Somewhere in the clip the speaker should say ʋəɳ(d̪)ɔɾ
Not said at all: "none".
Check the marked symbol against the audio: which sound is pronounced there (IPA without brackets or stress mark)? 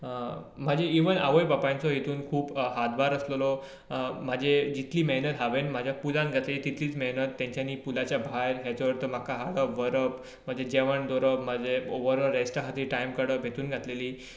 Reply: d̪